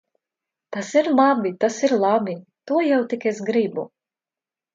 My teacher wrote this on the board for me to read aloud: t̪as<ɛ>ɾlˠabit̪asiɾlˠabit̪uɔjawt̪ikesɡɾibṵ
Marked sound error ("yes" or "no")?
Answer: yes